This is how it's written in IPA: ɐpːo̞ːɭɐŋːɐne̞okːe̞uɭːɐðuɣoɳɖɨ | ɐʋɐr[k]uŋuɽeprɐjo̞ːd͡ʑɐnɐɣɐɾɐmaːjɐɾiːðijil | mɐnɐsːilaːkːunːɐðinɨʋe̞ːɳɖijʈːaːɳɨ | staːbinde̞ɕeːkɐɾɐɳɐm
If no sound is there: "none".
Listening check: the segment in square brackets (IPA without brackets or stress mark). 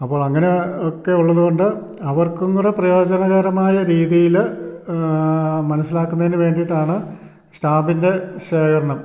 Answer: k